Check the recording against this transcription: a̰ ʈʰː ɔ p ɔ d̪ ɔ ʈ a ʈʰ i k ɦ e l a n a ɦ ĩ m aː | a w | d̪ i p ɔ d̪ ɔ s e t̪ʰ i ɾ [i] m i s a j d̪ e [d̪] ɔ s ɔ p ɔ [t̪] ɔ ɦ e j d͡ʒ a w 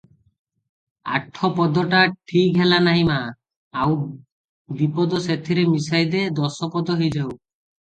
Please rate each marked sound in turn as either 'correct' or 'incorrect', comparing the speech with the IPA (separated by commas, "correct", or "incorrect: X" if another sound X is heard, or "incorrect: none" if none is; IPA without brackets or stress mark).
incorrect: e, correct, incorrect: d̪